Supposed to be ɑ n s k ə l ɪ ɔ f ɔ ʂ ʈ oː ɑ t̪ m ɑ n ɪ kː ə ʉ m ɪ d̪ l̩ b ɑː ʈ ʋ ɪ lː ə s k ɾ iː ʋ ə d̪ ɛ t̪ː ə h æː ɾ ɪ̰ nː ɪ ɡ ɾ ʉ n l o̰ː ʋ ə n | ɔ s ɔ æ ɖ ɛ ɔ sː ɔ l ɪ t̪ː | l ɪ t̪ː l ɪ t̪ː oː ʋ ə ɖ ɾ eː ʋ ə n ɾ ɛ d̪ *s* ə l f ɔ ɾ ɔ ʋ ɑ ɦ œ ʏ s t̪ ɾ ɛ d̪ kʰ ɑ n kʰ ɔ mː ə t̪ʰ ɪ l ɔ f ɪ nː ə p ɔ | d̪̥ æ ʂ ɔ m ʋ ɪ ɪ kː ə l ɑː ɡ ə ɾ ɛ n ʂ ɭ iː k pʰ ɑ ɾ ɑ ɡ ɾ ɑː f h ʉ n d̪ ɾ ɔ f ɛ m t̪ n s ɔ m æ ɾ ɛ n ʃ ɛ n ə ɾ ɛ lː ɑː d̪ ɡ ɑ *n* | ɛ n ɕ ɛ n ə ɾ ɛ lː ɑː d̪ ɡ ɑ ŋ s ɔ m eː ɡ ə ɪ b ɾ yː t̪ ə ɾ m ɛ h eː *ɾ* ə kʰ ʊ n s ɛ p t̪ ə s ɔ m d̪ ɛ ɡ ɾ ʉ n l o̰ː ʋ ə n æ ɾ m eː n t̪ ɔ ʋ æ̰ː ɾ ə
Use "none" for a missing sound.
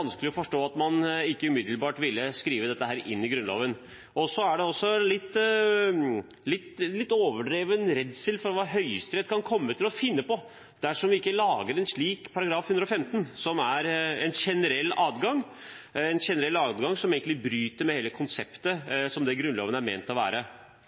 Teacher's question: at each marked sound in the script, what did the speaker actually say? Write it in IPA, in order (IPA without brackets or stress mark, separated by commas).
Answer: s, ŋ, l